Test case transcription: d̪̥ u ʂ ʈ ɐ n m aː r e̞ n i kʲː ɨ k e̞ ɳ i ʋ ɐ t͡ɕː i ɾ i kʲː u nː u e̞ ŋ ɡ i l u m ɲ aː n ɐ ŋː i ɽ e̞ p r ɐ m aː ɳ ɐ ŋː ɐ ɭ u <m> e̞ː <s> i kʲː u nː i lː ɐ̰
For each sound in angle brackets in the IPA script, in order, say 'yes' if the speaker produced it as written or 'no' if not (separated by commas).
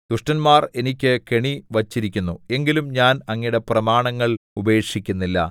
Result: no, no